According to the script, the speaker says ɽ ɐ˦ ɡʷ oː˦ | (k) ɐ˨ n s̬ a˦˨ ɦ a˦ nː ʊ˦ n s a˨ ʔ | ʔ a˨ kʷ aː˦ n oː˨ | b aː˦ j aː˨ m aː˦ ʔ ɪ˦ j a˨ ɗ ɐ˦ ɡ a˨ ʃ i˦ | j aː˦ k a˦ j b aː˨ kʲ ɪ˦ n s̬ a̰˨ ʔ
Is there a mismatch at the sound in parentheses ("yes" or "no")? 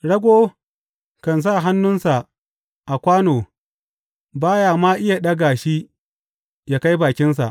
no